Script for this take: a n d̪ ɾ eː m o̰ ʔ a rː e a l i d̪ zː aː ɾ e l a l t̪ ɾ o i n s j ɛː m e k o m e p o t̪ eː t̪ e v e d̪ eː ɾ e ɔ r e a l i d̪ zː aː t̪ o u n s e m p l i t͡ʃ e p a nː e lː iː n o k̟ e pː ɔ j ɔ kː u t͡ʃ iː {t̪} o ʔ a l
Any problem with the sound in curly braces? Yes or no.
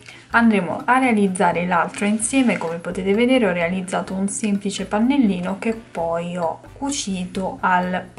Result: no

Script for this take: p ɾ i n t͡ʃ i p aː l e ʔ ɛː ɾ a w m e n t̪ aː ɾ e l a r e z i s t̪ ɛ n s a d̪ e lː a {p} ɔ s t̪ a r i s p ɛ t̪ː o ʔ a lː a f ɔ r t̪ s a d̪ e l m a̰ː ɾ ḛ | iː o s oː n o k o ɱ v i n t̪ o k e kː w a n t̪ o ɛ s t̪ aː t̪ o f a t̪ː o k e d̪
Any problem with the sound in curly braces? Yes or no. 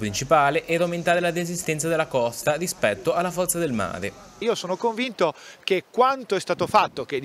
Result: yes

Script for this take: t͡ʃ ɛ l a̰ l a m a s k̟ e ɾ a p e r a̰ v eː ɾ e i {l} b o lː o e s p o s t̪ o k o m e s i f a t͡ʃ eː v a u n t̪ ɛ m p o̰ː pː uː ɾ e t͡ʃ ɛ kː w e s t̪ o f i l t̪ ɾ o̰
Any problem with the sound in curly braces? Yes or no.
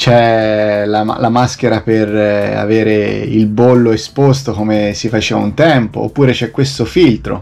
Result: no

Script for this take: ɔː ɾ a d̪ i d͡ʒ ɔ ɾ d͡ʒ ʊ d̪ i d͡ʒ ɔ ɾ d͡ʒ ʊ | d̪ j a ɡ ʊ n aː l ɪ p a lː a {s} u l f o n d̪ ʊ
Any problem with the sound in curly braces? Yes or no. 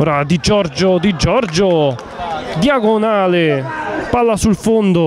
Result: no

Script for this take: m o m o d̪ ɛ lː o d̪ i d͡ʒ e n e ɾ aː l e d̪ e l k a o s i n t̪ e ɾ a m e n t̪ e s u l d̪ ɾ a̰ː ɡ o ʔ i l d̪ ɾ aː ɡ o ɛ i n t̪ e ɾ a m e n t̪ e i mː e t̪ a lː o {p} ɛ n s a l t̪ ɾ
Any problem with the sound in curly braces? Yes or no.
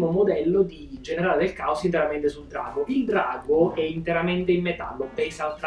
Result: no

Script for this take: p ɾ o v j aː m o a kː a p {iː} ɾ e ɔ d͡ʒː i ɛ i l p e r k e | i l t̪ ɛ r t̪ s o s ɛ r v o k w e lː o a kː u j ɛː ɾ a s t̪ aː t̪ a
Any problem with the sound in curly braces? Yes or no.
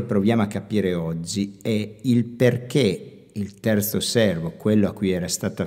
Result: no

